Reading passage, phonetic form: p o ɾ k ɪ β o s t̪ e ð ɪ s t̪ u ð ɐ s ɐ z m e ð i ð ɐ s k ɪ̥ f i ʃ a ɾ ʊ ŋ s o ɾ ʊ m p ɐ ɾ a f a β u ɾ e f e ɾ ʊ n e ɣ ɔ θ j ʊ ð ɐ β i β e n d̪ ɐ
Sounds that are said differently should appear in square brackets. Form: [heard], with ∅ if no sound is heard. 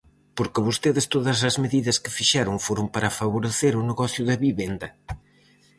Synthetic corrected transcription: p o ɾ k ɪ β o s t̪ e ð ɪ s t̪ [o] ð ɐ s ɐ z m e ð i ð ɐ s k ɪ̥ f i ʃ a ɾ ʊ ŋ [f] o ɾ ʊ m p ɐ ɾ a f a β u ɾ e [θ] e ɾ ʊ n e ɣ ɔ θ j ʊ ð ɐ β i β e n d̪ ɐ